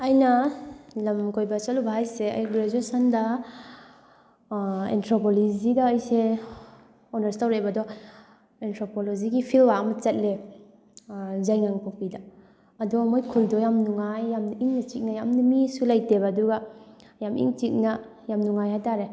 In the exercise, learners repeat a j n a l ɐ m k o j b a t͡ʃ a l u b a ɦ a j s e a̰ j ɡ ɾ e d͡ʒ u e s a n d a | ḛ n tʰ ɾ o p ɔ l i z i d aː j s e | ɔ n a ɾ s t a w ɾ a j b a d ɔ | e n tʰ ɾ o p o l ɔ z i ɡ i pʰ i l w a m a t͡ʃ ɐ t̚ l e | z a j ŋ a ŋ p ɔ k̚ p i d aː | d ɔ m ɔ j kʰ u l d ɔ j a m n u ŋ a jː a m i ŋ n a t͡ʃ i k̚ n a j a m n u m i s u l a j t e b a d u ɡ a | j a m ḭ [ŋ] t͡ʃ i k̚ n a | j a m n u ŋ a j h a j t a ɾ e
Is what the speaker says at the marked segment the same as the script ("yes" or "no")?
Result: yes